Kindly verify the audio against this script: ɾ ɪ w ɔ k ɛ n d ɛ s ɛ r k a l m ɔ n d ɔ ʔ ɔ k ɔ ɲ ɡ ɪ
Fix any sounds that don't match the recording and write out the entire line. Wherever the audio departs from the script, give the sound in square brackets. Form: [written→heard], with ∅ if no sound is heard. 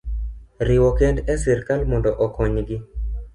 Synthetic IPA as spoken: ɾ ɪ w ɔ k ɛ n d ɛ s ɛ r k a l m ɔ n d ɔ ʔ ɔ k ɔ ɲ ɡ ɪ